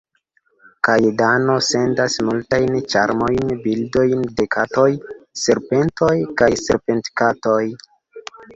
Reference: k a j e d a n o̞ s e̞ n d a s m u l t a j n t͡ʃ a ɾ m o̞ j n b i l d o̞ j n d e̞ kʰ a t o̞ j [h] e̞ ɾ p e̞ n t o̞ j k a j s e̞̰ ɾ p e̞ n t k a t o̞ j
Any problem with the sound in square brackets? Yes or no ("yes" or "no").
yes